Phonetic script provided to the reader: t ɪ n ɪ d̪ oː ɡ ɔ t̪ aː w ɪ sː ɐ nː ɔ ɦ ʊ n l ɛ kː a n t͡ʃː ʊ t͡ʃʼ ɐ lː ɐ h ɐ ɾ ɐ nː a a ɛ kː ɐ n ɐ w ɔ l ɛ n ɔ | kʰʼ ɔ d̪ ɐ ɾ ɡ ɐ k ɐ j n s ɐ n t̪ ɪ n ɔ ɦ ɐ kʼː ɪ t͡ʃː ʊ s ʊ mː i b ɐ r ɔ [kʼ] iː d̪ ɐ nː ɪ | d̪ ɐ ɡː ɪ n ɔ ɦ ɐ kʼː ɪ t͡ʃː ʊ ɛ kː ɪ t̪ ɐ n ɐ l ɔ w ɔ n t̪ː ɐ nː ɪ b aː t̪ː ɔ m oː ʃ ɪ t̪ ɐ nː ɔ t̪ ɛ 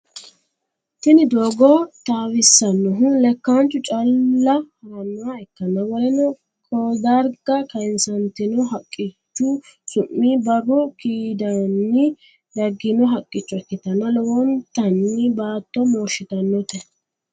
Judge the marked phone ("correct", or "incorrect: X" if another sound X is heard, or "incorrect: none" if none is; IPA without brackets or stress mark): incorrect: k